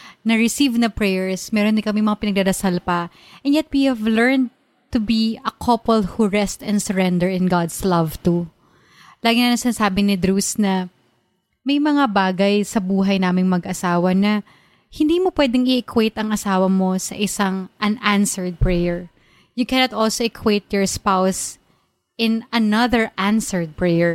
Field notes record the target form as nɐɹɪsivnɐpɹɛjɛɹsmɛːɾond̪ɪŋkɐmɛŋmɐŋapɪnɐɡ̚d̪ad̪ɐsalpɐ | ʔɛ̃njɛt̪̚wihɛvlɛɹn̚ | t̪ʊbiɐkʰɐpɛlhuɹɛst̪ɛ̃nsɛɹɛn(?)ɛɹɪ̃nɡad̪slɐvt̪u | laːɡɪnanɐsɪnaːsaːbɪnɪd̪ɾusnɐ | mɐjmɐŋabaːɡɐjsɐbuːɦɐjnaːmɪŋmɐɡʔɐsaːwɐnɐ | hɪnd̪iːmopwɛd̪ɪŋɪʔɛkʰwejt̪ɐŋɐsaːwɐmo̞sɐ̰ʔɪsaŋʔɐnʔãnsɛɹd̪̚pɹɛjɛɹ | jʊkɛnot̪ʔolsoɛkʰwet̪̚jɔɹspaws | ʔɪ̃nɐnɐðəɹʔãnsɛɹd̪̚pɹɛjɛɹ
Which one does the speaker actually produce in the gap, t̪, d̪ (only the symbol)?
d̪